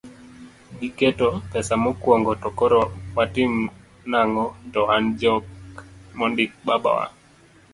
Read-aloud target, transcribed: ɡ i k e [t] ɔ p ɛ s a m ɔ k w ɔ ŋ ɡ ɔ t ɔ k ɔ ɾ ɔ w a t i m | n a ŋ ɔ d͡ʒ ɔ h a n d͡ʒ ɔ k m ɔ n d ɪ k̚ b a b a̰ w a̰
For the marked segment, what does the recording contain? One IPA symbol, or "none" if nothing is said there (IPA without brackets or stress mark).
t